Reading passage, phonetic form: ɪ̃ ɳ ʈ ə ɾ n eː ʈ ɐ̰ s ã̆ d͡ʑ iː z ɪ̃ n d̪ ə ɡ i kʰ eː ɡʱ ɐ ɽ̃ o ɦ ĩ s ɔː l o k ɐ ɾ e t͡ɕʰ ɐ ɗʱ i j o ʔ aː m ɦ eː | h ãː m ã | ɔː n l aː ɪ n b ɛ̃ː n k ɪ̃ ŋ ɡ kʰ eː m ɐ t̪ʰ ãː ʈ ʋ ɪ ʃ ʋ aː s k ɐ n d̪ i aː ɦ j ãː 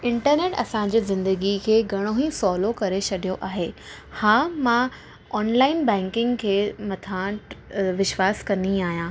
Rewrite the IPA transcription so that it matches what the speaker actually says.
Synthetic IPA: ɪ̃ ɳ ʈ ə ɾ n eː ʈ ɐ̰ s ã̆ d͡ʑ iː z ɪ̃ n d̪ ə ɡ i kʰ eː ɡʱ ɐ ɽ̃ o ɦ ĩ s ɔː l o k ɐ ɾ e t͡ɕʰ ɐ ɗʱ i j o ʔ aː ɦ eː | h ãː m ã | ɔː n l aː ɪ n b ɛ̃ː ŋ k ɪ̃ ŋ ɡ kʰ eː m ɐ t̪ʰ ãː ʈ ʋ ɪ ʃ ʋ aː s k ɐ n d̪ i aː ɦ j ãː